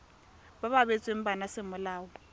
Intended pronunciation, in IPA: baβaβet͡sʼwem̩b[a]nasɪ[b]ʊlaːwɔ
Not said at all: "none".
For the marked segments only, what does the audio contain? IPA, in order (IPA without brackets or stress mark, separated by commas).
a, m